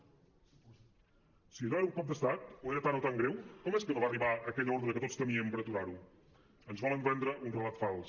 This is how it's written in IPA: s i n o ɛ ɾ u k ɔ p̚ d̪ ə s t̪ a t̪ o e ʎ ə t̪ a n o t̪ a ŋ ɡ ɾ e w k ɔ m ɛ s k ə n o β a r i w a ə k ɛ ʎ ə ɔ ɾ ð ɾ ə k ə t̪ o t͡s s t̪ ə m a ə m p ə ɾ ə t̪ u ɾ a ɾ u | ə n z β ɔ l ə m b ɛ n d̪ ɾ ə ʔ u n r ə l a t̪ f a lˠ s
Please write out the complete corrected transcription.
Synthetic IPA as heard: s i n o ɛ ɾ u k ɔ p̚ d̪ ə s t̪ a t̪ o e ɾ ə t̪ a n o t̪ a ŋ ɡ ɾ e w k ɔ m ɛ s k ə n o β a r i β a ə k ɛ ʎ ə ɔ ɾ ð ɾ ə k ə t̪ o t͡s s t̪ ə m i ə m p ə ɾ ə t̪ u ɾ a ɾ u | ə n z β ɔ l ə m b ɛ n d̪ ɾ ə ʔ u n r ə l a t̪ f a lˠ s